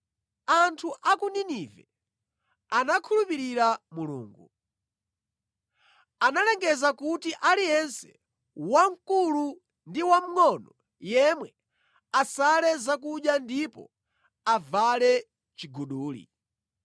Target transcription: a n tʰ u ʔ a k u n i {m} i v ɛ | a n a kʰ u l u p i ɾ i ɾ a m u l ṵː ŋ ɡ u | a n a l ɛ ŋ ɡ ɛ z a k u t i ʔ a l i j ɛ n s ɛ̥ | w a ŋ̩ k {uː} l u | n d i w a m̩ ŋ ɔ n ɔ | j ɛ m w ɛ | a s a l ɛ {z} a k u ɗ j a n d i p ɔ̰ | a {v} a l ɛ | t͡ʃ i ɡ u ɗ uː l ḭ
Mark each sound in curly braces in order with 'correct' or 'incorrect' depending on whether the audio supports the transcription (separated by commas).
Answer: incorrect, incorrect, correct, correct